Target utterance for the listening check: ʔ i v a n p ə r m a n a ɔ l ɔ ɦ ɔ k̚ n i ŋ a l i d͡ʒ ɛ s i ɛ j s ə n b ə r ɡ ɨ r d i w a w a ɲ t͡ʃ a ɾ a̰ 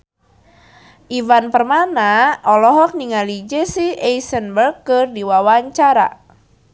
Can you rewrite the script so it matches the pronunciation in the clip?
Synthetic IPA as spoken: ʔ i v a n p ə r m a n a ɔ l ɔ ɦ ɔ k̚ n i ŋ a l i d͡ʒ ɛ s i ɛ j s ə n b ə r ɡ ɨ r d i w a w a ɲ t͡ʃ a ɾ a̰